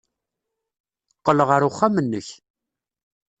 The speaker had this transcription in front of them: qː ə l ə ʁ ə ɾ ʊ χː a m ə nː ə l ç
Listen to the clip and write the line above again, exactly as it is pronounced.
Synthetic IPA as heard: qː ə l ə ʁ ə ɾ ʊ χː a m ə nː ə ç